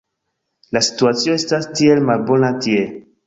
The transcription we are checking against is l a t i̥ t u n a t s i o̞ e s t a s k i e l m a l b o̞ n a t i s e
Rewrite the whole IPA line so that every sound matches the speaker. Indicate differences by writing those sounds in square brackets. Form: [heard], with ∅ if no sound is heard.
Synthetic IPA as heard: l a [s] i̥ t u [∅] a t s i o̞ e s t a s [t] i e l m a l b o̞ n a t i [∅] e